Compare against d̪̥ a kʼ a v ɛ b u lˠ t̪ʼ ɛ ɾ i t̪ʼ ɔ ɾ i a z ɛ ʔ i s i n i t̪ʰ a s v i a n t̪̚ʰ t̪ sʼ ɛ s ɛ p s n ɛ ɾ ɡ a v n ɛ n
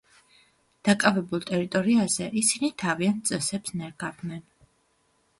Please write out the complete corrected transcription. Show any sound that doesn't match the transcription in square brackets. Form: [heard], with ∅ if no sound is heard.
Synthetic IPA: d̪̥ a kʼ a v ɛ b u lˠ t̪ʼ ɛ ɾ i t̪ʼ ɔ ɾ i a z ɛ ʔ i s i n i t̪ʰ a [∅] v i a n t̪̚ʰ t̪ sʼ ɛ s ɛ p s n ɛ ɾ ɡ a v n ɛ n